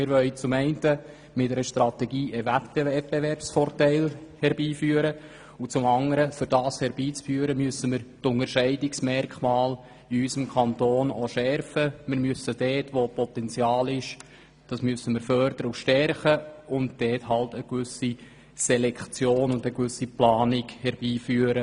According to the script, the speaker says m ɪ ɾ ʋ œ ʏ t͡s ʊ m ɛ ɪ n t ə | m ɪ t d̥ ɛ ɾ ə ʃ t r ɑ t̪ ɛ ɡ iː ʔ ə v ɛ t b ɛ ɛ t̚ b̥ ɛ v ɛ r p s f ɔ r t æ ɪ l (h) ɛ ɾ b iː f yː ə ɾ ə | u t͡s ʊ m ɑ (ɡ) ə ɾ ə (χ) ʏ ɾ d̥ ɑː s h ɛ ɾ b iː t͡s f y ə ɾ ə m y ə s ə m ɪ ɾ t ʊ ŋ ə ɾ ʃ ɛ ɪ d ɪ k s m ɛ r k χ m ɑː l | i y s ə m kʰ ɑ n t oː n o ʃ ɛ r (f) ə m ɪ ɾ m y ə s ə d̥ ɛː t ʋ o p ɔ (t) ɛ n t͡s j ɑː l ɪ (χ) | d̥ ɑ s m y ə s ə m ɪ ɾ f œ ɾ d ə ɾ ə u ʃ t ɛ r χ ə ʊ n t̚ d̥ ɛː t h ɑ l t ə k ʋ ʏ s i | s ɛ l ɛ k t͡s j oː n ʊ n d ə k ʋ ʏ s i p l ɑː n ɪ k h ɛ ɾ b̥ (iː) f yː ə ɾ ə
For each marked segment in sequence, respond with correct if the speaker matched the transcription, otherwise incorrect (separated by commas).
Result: correct, incorrect, incorrect, correct, correct, incorrect, correct